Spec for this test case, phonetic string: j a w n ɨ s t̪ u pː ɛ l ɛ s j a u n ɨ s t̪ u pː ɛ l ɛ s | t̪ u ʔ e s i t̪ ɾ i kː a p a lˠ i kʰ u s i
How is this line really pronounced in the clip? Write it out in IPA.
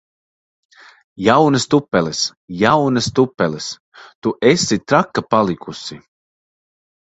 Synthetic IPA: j a w n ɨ s t̪ u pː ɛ l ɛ s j a w n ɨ s t̪ u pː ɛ l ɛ s | t̪ u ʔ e s i t̪ ɾ a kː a p a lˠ i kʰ u s i